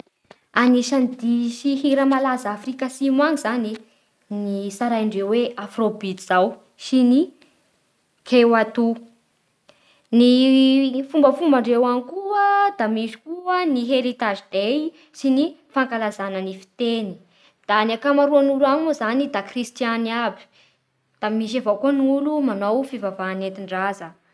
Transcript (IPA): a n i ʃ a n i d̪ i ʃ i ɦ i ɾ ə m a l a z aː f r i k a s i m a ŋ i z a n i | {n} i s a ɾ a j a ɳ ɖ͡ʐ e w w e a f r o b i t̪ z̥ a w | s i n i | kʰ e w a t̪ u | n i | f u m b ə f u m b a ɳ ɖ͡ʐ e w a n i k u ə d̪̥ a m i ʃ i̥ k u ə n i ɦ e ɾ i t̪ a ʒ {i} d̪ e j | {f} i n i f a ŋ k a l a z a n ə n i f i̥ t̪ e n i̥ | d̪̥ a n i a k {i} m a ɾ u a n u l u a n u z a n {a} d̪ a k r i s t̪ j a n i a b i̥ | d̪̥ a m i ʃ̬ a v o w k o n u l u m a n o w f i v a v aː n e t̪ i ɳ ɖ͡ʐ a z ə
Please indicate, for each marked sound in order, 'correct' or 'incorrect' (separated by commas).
correct, correct, incorrect, incorrect, incorrect